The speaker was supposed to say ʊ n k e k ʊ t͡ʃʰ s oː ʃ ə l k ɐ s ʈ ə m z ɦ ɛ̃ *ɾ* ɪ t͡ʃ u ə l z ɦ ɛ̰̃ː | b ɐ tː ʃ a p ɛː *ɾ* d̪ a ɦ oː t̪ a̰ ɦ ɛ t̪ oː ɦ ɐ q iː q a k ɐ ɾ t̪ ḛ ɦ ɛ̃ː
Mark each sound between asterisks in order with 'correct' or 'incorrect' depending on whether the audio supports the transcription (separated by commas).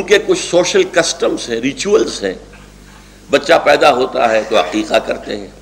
correct, incorrect